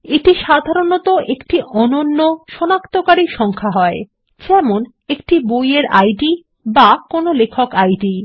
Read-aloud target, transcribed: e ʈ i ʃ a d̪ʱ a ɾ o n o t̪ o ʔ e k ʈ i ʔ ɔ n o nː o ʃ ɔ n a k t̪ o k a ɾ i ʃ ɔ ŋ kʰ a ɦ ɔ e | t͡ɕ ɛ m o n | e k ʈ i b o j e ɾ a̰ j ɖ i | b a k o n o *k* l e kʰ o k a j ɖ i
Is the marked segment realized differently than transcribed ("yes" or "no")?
yes